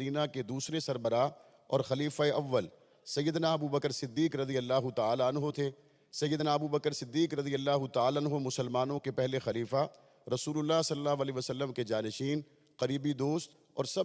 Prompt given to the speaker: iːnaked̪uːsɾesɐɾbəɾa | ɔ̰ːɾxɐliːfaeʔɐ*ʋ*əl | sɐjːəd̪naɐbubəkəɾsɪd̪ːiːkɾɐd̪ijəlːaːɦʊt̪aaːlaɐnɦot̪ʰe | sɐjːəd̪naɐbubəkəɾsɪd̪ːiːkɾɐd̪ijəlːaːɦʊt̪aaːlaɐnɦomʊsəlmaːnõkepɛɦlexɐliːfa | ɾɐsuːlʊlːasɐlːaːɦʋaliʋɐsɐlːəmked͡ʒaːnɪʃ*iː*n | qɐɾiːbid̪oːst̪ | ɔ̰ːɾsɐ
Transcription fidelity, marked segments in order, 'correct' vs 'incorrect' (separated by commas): incorrect, correct